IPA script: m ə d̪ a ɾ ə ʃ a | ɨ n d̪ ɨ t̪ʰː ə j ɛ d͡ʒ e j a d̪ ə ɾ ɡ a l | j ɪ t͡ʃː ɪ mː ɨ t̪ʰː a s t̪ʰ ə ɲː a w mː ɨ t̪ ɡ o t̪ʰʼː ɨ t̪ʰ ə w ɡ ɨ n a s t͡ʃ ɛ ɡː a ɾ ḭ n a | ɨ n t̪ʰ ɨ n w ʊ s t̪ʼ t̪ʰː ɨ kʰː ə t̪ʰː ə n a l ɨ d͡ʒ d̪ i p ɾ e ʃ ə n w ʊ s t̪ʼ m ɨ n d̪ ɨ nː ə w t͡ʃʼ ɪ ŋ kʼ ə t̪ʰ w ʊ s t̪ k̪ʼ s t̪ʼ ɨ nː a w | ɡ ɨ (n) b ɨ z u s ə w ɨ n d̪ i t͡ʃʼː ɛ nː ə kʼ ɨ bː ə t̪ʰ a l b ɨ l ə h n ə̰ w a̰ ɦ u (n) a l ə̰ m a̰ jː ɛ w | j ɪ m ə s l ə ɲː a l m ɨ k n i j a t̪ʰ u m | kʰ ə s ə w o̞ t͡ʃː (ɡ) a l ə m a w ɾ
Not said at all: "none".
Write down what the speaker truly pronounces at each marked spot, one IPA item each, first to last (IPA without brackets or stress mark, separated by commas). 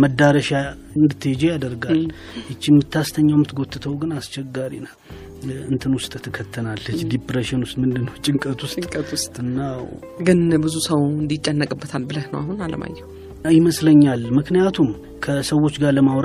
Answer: n, n, ɡ